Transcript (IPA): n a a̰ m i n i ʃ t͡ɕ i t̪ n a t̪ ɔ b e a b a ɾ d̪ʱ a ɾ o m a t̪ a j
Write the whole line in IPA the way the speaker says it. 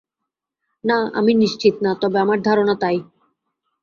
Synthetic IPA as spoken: n a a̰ m i n i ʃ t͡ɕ i t̪ n a t̪ ɔ b e a m a ɾ d̪ʱ a ɾ o n a t̪ a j